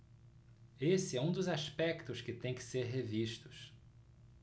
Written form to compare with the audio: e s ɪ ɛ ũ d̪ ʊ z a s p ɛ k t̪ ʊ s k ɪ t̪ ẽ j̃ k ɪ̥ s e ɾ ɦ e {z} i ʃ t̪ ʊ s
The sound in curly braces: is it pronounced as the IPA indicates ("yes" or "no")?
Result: no